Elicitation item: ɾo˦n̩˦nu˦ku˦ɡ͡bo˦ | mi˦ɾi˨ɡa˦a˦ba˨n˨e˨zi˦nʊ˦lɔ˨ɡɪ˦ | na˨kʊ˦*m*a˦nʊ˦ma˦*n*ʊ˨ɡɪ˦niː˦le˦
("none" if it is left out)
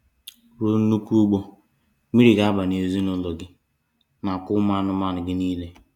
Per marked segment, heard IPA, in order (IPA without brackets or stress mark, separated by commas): m, n